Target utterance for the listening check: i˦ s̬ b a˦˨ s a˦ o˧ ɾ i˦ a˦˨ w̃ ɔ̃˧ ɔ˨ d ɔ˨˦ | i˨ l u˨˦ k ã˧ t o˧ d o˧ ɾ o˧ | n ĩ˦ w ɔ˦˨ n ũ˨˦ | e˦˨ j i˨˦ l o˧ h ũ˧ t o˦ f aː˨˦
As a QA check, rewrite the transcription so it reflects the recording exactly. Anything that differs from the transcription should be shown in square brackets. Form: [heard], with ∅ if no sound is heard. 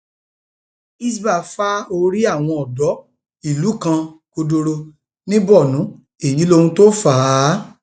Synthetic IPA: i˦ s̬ b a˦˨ [f] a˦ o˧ ɾ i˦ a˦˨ w̃ ɔ̃˧ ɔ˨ d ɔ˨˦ | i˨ l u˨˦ k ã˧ [k] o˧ d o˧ ɾ o˧ | n ĩ˦ [b] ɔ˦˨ n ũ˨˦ | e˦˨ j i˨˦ l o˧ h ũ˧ t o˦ f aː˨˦